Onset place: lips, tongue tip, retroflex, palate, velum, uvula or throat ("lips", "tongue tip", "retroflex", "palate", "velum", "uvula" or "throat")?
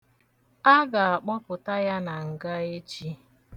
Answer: velum